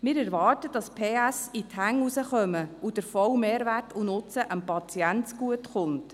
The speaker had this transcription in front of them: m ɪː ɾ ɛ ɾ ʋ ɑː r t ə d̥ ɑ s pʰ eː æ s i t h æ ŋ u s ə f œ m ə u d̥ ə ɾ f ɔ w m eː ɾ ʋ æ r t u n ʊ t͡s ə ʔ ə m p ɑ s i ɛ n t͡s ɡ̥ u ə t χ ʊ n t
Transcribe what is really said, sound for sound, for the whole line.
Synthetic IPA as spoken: m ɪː ɾ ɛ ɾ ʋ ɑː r t ə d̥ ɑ s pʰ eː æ s i t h æ ŋ u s ə χ œ m ə u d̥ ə ɾ f ɔ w m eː ɾ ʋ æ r t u n ʊ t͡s ə ʔ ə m p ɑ t͡s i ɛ n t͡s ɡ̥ u ə t χ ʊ n t